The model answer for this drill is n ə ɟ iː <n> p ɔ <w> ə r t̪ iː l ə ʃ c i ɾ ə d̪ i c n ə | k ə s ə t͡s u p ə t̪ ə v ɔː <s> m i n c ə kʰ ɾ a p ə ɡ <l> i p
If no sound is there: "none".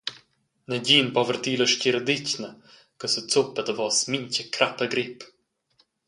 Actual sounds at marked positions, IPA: n, v, s, ɾ

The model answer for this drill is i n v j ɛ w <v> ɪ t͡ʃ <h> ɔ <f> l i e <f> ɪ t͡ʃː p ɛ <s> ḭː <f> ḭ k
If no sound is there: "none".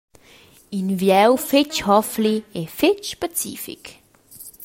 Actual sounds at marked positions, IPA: f, h, f, f, t͡s, f

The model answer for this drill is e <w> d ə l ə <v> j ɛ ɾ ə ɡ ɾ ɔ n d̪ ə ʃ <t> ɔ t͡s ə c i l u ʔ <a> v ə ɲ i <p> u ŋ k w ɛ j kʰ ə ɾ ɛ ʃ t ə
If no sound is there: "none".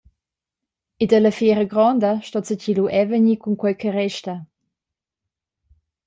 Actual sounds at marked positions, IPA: none, f, t, ɛ, k

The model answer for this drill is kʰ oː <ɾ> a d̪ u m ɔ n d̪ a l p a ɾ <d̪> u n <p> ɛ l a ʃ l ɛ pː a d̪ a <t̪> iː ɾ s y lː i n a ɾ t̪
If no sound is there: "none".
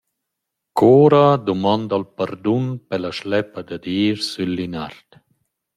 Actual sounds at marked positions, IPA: ɾ, d̪, p, d̪

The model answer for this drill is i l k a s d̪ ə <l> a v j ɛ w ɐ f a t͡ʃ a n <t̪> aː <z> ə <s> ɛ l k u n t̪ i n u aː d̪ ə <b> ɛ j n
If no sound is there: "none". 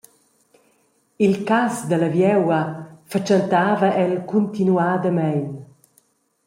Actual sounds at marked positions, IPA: l, t̪, v, none, m

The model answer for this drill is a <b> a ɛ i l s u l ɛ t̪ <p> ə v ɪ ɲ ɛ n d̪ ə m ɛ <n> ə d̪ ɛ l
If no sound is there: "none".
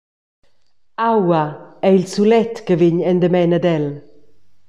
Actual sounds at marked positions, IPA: w, k, n

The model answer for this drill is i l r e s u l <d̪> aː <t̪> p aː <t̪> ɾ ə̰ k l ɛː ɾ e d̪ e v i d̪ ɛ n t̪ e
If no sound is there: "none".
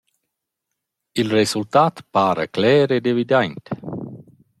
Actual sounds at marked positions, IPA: t̪, t̪, none

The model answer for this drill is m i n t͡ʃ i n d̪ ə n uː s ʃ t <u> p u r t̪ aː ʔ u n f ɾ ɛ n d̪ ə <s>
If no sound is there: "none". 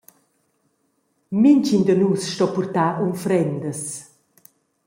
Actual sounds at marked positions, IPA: ɔ, s

